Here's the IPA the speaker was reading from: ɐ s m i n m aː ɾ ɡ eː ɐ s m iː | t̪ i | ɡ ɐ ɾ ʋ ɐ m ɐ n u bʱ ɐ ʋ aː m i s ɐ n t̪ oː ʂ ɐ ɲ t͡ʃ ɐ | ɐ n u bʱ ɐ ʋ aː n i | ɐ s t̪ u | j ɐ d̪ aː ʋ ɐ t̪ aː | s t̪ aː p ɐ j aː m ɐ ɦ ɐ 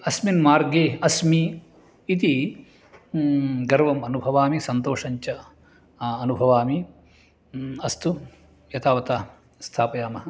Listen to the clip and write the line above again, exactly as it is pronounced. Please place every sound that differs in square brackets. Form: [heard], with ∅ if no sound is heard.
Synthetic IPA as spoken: ɐ s m i n m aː ɾ ɡ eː ɐ s m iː | t̪ i | ɡ ɐ ɾ ʋ ɐ m ɐ n u bʱ ɐ ʋ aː m i s ɐ n t̪ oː ʂ ɐ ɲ t͡ʃ ɐ | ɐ n u bʱ ɐ ʋ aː [m] i | ɐ s t̪ u | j ɐ [t̪] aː ʋ ɐ t̪ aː | s [t̪ʰ] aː p ɐ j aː m ɐ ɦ ɐ